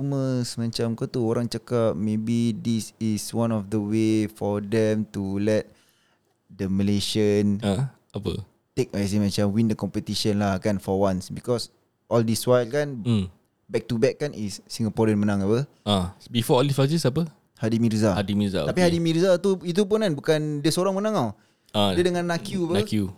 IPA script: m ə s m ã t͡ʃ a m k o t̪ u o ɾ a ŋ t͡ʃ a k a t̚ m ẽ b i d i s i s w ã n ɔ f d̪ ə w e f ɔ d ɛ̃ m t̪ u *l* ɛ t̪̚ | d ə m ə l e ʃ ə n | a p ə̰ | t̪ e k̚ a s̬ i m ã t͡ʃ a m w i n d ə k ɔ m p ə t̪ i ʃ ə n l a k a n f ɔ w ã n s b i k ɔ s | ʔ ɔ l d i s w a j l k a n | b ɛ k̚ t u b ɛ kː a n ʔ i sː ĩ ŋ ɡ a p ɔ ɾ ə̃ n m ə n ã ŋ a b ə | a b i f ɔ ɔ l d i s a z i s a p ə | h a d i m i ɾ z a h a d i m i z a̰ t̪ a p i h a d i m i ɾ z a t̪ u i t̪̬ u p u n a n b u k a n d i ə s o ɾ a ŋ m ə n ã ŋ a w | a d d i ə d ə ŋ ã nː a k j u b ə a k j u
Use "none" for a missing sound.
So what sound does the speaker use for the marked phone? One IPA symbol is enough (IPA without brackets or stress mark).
l